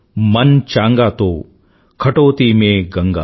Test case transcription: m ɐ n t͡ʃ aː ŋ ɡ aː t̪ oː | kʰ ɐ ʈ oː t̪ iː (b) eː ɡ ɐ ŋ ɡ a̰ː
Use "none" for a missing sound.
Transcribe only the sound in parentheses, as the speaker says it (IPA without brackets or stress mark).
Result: m